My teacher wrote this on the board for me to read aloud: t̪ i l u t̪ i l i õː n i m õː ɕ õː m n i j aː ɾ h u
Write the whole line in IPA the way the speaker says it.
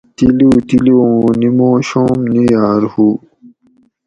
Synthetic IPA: t̪ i l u t̪ i l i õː n i m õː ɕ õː m n i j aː ɾ h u

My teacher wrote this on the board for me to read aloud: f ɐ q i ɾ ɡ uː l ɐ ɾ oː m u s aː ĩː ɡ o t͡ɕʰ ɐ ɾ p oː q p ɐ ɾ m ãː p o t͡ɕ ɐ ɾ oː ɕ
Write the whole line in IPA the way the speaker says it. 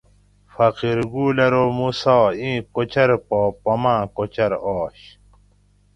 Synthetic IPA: f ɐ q i ɾ ɡ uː l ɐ ɾ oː m u s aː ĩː k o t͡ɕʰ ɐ ɾ p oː p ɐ m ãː k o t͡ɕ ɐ ɾ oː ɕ

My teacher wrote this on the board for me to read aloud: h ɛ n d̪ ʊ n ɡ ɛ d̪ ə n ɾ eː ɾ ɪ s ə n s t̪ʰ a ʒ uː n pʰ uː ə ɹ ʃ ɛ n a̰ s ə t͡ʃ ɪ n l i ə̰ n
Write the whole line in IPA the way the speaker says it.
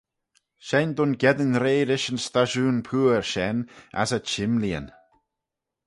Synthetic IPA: ʃ ɛ n d̪ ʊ n ɡ ɛ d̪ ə n ɾ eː ɾ ɪ ʃ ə n s t̪ a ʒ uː n pʰ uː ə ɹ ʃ ɛ n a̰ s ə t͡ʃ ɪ m l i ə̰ n

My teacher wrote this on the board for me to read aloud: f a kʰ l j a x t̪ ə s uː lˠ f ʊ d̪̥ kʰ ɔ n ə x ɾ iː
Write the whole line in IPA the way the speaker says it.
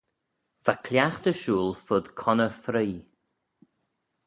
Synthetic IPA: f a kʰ l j a x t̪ ə ʃ uː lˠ f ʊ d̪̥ kʰ ɔ n ə f ɾ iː

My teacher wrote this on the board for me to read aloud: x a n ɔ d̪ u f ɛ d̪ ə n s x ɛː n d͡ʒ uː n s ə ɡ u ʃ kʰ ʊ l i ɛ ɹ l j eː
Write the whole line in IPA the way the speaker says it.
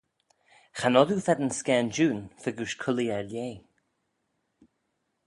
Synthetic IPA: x a n ɔ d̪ u f ɛ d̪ ə n s k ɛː n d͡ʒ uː n f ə ɡ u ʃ kʰ ʊ l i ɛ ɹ l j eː

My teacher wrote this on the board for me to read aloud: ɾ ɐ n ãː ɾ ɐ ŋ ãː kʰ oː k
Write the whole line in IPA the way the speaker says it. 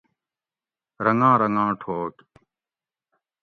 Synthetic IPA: ɾ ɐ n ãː ɾ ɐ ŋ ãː ʈʰ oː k

